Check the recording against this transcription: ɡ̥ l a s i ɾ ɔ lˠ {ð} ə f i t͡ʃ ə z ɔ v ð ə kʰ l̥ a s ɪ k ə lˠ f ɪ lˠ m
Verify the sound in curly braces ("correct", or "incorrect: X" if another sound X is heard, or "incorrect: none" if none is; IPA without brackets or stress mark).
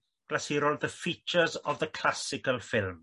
correct